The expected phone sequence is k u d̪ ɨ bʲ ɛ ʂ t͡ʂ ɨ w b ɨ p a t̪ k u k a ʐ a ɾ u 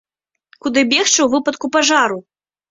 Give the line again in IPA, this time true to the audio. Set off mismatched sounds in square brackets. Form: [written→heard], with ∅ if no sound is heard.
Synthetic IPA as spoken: k u d̪ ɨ bʲ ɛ [ʂ→x] t͡ʂ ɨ w [b→v] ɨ p [a→ɐ] t̪ k u [k→p] a ʐ a ɾ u